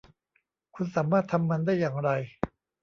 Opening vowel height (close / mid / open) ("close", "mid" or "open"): close